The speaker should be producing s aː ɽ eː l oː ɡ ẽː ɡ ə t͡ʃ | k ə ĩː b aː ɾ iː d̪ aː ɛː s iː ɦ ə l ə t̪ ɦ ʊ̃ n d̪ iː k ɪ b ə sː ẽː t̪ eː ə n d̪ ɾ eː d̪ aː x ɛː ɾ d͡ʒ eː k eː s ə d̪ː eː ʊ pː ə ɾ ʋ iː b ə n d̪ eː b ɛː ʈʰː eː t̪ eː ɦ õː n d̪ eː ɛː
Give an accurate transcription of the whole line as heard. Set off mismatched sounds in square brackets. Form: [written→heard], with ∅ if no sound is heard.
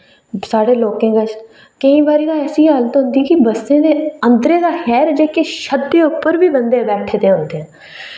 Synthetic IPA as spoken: s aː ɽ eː l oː [ɡ→k] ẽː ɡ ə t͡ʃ | k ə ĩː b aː ɾ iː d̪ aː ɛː s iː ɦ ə l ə t̪ ɦ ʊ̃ n d̪ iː k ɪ b ə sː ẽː [t̪→d̪] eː ə n d̪ ɾ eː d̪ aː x ɛː ɾ d͡ʒ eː k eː [s→ʃ] ə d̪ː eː ʊ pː ə ɾ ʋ iː b ə n d̪ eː b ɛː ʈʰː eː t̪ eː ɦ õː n d̪ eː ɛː